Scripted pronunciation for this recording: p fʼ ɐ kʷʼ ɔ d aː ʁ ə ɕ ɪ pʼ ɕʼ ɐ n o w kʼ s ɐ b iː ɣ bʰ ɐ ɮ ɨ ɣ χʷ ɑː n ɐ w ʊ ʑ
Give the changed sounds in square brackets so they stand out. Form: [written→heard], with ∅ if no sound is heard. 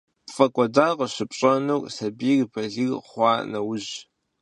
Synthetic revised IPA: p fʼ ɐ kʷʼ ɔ d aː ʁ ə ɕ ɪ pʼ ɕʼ ɐ n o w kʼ s ɐ b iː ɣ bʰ ɐ ɮ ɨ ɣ χʷ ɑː n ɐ w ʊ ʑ